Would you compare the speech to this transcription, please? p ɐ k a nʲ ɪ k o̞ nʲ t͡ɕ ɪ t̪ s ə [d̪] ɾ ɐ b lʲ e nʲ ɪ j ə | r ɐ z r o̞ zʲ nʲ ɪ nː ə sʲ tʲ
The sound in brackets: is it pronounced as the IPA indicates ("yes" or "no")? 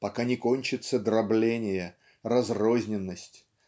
yes